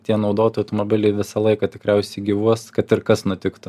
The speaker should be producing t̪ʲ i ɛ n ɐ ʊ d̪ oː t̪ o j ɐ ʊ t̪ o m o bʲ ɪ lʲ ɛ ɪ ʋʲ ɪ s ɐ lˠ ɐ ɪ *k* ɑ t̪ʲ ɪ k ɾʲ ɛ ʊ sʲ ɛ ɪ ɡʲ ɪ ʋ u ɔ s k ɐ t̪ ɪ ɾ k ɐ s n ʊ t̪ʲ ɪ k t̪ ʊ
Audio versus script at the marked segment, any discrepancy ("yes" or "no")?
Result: no